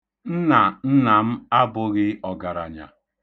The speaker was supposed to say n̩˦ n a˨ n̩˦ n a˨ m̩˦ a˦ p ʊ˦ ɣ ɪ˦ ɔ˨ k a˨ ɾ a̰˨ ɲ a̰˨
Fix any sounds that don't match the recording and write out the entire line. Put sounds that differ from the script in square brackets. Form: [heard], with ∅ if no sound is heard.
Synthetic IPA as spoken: n̩˦ n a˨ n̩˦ n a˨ m̩˦ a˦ [b] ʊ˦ ɣ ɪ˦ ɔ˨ [ɡ] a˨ ɾ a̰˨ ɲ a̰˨

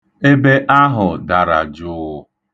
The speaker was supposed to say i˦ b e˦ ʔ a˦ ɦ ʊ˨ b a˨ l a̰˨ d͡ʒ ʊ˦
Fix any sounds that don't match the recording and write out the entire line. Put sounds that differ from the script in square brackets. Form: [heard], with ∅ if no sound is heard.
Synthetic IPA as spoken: [e˦] b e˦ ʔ a˦ ɦ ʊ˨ [d] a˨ [ɾ] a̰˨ d͡ʒ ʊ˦

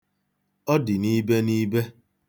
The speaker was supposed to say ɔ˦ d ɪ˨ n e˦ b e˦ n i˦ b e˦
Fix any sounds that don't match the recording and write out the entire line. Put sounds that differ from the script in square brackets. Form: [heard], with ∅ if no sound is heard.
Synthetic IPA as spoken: ɔ˦ d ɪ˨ n [i˦] b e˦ n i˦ b e˦

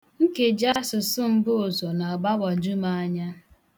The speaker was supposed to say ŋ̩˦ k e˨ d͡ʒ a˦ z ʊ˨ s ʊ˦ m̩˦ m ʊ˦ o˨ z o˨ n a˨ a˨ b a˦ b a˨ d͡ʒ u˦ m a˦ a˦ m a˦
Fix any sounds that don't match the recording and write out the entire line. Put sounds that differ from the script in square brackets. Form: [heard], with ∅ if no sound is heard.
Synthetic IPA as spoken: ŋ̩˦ k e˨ d͡ʒ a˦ [s] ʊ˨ s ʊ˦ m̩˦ [b] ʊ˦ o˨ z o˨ n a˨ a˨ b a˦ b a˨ d͡ʒ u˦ m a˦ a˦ [ɲ] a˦

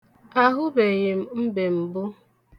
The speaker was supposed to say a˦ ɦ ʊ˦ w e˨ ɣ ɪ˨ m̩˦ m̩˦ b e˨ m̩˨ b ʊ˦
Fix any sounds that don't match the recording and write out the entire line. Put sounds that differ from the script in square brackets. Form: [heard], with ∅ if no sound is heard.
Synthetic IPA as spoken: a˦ ɦ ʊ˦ [b] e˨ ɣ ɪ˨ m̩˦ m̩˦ b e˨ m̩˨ b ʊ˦

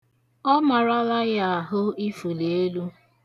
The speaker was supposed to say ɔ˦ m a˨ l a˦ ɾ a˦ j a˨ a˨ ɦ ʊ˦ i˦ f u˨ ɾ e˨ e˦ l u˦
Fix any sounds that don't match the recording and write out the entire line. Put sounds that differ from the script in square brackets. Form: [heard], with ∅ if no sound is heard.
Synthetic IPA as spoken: ɔ˦ m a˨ [ɾ] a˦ [l] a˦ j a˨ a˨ ɦ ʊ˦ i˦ f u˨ [l] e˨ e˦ l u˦

